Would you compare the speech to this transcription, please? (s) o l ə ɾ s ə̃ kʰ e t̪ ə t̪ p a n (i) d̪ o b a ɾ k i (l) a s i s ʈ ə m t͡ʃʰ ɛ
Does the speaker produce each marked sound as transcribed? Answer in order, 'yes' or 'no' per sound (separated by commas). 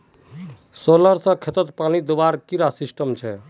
yes, yes, no